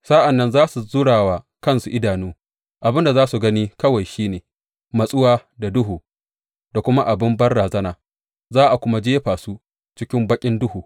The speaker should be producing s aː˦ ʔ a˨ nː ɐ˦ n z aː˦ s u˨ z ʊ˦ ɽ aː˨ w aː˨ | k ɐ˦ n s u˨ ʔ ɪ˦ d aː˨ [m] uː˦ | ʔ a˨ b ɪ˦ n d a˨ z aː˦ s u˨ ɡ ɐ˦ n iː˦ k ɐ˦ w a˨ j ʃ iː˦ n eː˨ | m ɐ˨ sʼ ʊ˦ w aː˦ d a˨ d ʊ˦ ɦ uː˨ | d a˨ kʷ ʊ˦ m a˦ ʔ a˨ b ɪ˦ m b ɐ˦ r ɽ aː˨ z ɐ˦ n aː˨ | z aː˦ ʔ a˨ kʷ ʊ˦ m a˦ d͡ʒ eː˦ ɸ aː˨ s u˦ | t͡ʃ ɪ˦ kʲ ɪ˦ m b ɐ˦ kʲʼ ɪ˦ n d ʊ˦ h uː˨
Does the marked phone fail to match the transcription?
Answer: yes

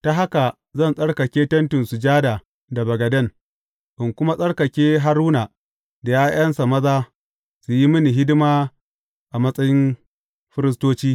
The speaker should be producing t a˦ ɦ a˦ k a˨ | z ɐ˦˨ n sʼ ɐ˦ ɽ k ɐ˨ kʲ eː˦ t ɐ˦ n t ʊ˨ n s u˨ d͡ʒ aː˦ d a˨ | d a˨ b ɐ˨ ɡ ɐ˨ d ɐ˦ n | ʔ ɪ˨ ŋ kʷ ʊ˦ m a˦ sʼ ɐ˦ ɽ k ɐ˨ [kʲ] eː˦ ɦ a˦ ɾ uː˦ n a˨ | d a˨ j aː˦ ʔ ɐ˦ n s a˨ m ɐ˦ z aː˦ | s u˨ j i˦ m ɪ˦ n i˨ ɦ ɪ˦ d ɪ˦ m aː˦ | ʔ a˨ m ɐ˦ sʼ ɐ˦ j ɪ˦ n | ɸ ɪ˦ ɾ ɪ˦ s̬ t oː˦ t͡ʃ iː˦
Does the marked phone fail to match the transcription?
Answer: no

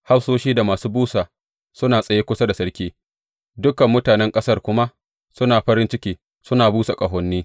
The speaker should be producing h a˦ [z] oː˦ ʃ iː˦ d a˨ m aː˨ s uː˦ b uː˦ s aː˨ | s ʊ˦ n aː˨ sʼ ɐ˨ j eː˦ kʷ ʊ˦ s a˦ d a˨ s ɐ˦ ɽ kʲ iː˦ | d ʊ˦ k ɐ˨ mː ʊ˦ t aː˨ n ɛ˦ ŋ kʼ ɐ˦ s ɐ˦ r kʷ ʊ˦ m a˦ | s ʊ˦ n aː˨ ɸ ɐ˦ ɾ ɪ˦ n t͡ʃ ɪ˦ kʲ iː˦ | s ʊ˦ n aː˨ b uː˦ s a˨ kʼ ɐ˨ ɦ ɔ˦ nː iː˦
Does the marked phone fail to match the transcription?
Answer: yes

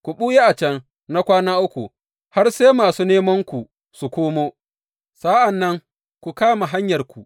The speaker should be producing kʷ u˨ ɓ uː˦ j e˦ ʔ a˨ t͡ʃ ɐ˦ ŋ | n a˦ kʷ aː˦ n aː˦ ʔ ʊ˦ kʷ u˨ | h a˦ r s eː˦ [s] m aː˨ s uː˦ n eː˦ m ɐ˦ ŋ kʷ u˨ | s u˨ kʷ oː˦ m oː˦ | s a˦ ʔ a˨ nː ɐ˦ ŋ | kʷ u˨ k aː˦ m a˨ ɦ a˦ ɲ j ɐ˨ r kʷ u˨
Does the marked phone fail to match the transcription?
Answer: yes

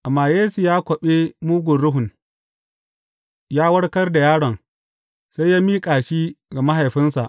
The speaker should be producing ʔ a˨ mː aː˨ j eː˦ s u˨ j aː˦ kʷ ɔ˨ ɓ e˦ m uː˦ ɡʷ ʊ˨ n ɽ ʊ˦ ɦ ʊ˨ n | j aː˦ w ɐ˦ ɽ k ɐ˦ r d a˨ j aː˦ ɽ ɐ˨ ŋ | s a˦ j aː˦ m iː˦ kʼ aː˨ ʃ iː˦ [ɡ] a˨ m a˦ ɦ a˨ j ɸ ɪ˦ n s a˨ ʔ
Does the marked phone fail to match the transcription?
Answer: no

